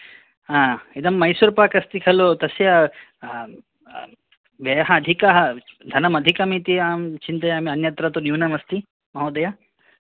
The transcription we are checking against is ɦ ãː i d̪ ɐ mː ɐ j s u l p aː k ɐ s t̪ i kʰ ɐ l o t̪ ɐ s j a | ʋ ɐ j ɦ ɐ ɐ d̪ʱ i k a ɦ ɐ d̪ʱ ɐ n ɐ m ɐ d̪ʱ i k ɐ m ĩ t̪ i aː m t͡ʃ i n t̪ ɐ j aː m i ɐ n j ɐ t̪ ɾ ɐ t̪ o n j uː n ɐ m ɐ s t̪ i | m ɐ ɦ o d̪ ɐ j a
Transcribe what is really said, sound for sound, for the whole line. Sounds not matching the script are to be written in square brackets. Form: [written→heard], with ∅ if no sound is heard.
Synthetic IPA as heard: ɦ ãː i d̪ ɐ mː ɐ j s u [l→ɾ] p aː k ɐ s t̪ i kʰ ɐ l o t̪ ɐ s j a | ʋ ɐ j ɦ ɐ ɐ d̪ʱ i k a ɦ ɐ d̪ʱ ɐ n ɐ m ɐ d̪ʱ i k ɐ m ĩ t̪ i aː m t͡ʃ i n t̪ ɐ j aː m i ɐ n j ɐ t̪ ɾ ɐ t̪ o n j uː n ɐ m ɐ s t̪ i | m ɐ ɦ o d̪ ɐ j a